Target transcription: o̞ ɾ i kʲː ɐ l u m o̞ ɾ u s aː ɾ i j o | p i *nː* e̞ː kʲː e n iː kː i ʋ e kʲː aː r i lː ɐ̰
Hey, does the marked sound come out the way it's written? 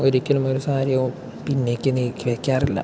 yes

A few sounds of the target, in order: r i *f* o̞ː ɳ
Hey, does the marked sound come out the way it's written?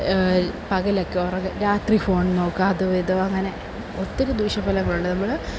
yes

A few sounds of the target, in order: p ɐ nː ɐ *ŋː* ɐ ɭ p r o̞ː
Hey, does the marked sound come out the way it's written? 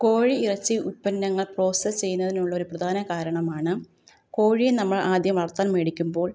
yes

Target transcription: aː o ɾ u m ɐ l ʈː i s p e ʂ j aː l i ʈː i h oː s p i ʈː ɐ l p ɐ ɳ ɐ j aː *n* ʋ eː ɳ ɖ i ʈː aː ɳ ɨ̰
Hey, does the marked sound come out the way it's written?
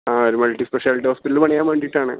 no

